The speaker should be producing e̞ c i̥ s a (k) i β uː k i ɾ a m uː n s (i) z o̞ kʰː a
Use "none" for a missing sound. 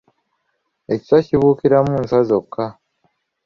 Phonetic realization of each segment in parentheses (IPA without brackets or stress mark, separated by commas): c, a